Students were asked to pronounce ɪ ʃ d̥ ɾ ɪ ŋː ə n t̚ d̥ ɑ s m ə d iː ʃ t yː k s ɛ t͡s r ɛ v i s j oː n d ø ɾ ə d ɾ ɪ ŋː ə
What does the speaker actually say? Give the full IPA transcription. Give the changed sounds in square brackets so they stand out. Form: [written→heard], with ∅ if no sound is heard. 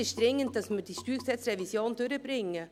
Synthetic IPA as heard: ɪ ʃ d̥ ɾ ɪ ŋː ə n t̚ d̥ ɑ s m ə d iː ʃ t yː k s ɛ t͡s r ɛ v i s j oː n d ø ɾ ə [d→b] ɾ ɪ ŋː ə